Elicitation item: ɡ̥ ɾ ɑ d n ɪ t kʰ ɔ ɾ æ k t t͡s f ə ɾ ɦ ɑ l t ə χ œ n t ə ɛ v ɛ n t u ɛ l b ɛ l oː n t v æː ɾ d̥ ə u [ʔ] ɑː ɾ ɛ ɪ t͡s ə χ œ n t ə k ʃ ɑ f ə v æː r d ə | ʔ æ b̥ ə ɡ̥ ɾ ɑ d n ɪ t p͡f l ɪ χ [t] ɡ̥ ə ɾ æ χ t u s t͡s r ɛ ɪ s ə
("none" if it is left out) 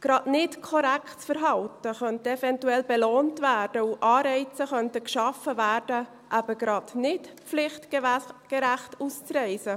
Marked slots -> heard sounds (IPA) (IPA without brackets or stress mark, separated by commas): ʔ, t